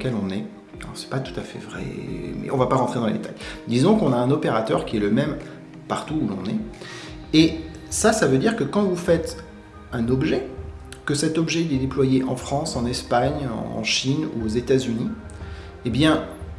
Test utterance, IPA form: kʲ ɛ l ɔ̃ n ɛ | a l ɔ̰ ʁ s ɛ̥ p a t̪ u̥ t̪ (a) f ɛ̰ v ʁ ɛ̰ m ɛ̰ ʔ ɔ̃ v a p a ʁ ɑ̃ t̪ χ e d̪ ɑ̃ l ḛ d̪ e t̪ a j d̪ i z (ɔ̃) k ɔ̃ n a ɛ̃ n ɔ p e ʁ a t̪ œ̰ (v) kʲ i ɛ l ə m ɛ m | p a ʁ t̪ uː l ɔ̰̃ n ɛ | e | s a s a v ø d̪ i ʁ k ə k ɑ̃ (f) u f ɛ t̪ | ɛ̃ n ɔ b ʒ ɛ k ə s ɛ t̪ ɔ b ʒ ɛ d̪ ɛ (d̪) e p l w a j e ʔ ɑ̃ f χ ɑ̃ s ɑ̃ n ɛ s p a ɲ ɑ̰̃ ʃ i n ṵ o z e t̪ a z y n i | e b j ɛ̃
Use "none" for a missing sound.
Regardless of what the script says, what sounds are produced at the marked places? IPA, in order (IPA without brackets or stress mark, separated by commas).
a, ɔ̃, ʁ, v, d̪